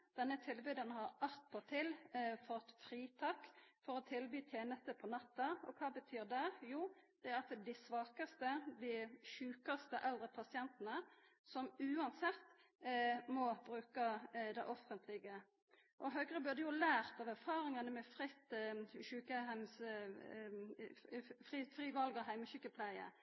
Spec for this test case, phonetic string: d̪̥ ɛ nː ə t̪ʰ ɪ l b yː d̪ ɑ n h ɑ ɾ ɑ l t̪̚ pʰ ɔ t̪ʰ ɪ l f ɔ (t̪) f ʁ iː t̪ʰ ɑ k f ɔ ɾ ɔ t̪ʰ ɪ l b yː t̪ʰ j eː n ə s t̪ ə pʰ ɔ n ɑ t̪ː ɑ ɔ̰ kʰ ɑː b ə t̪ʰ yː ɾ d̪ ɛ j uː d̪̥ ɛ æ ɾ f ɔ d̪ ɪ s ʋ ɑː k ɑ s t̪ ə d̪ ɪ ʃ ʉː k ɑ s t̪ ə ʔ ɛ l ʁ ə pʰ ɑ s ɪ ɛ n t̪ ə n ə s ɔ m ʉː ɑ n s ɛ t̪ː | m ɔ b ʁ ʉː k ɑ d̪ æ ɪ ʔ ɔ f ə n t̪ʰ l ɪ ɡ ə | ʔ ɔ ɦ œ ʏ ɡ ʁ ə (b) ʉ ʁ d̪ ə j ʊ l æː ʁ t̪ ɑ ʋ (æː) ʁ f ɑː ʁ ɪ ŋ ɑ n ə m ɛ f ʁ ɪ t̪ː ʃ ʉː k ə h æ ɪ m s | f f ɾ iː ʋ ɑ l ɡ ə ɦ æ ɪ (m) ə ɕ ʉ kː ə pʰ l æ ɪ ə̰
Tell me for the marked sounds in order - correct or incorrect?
correct, correct, incorrect: æ, correct

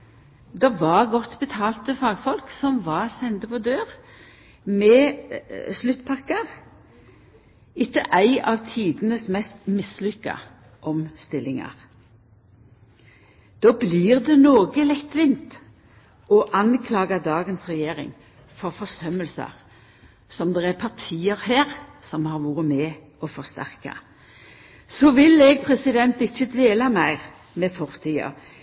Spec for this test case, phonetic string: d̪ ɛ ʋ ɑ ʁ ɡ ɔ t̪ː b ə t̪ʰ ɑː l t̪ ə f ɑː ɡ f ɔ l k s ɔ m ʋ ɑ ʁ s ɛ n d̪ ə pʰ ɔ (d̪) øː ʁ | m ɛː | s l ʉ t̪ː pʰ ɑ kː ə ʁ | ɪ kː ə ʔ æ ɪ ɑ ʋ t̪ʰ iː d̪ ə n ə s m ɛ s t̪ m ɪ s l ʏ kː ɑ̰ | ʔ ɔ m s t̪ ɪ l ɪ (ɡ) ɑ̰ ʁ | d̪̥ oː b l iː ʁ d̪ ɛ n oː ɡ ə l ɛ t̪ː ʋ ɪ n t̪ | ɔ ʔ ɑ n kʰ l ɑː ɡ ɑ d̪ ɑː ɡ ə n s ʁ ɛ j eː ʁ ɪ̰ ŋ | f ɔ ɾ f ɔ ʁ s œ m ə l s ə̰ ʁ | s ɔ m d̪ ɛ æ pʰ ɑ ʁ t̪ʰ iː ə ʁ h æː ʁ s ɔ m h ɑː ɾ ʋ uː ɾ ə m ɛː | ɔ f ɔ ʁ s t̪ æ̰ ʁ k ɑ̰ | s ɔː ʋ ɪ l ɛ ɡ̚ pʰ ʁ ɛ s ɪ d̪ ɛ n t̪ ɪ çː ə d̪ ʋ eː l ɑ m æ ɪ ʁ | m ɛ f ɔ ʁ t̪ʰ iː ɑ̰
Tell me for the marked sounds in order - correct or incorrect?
correct, incorrect: ŋ

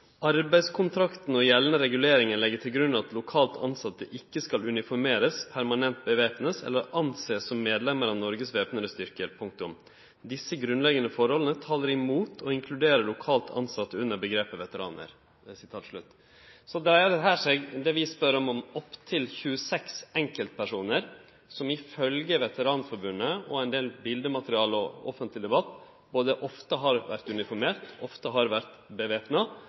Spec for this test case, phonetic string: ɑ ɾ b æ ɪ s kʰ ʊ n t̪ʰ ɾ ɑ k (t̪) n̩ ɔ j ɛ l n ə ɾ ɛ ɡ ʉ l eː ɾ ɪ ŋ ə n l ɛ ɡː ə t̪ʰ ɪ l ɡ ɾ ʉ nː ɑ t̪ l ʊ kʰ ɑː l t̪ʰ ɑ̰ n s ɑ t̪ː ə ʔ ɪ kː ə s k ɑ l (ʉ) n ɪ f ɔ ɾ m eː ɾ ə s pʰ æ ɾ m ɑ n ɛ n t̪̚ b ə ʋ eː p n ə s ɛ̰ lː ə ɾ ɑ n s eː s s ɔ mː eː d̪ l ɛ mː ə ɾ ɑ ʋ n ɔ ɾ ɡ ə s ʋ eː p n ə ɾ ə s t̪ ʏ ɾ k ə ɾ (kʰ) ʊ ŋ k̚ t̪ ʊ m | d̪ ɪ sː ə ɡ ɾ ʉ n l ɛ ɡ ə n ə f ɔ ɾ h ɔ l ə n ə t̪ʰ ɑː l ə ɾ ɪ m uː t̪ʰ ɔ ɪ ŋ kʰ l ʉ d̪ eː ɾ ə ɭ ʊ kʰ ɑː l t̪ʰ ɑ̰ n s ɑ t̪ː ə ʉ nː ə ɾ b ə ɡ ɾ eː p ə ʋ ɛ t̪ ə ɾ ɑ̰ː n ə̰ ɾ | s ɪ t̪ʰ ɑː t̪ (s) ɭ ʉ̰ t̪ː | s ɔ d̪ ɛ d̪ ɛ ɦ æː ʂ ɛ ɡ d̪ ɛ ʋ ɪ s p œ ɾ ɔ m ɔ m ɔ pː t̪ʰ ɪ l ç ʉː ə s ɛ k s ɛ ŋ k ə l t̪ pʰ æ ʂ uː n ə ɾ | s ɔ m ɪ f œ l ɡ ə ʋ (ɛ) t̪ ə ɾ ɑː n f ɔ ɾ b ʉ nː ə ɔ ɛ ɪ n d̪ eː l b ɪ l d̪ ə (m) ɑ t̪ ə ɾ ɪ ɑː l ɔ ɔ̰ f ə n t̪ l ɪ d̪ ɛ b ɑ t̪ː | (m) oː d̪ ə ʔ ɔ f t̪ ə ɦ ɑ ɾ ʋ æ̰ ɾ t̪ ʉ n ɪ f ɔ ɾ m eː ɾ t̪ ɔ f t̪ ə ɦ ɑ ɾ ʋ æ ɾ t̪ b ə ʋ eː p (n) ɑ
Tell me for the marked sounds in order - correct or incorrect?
correct, correct, incorrect: pʰ, incorrect: ʂ, correct, correct, incorrect: b, correct

